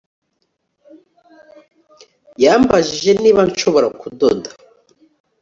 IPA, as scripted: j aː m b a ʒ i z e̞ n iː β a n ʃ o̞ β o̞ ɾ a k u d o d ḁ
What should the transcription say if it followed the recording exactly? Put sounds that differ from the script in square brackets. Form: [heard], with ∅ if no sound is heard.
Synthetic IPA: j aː m b a ʒ i [ʒ] e̞ n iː β a n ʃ o̞ β o̞ ɾ a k u d o d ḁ